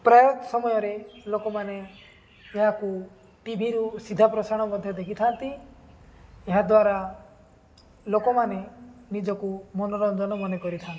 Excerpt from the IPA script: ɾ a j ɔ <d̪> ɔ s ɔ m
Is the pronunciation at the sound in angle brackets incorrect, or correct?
incorrect: t̪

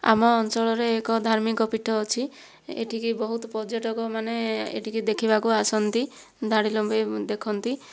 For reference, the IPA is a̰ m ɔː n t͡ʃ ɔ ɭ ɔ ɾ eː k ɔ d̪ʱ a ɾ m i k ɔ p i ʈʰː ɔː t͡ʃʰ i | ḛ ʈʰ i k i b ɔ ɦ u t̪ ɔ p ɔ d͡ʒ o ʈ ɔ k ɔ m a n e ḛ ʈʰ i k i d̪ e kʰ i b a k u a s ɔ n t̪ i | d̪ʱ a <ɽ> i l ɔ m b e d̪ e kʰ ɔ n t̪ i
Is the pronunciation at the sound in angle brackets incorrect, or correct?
correct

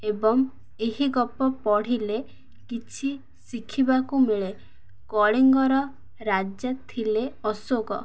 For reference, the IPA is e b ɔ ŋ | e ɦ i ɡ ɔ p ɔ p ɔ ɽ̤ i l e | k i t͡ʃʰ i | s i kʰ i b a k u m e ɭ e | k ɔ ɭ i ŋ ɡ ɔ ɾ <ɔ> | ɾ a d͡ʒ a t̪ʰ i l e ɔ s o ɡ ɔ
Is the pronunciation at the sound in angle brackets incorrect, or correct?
correct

